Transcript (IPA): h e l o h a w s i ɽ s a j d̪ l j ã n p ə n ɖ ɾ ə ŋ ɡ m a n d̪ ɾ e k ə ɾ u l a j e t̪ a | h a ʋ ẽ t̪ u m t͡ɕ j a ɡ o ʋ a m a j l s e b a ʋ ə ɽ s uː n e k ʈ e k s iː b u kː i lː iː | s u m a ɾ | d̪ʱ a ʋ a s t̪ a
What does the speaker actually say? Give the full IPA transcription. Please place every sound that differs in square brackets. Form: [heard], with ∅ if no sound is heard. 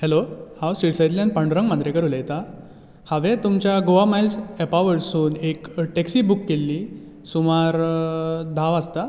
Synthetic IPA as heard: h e l o h a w s i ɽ s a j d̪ l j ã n p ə [ɳ] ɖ ɾ ə ŋ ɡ m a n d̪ ɾ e k ə ɾ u l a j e t̪ a | h a ʋ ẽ t̪ u m t͡ɕ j a ɡ o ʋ a m a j l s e [p] a ʋ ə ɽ s uː n e k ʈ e k s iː b u kː [e] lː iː | s u m a ɾ | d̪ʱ a ʋ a s t̪ a